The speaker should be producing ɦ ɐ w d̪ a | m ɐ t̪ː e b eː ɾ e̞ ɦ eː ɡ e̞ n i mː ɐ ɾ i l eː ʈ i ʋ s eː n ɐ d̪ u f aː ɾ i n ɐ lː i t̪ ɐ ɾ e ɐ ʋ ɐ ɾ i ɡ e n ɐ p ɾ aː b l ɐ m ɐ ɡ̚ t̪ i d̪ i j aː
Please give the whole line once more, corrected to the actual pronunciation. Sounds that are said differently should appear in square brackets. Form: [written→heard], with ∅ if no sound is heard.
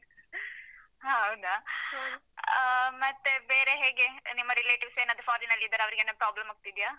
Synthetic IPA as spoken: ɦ ɐ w d̪ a | m ɐ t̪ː e b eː ɾ e̞ ɦ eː ɡ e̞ n i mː ɐ ɾ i l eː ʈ i ʋ s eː n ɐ d̪ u f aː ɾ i n ɐ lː i [t̪→d̪] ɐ ɾ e ɐ ʋ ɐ ɾ i ɡ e n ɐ p ɾ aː b l ɐ m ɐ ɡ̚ t̪ i d̪ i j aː